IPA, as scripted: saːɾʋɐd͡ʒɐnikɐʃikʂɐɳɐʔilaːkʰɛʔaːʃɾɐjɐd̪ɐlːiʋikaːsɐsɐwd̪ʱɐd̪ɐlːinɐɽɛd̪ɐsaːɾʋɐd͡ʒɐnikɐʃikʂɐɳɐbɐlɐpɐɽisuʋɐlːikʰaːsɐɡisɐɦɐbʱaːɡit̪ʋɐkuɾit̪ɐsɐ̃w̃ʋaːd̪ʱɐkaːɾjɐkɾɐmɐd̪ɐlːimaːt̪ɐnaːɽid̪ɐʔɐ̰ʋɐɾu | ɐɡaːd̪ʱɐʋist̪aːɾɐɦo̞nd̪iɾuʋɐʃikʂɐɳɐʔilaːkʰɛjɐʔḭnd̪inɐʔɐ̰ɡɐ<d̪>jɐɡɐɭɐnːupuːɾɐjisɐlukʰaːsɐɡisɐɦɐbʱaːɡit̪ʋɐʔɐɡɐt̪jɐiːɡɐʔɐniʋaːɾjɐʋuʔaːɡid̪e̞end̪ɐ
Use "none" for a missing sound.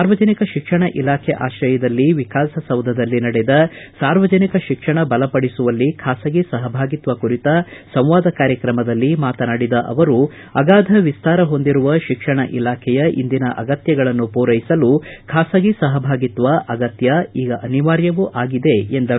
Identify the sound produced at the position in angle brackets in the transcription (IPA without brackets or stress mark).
t̪